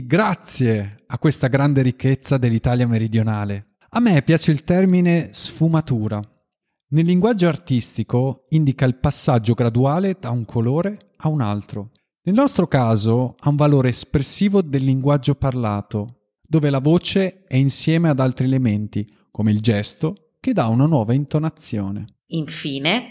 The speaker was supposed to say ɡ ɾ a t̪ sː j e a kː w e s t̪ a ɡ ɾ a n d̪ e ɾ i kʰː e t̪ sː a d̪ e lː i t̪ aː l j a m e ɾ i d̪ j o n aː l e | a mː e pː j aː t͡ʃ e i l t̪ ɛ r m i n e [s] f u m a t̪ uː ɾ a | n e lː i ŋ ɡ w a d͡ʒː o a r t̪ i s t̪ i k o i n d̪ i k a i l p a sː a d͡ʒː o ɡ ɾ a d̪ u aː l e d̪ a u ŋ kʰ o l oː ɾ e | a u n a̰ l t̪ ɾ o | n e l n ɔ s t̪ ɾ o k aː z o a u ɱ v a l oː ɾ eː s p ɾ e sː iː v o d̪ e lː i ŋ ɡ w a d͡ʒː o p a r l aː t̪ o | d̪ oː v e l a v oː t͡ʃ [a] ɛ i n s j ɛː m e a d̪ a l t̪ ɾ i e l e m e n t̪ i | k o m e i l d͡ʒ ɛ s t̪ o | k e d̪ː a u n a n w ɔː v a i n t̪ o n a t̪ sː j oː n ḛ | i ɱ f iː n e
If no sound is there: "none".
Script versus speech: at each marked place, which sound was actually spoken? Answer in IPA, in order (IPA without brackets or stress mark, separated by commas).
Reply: s, e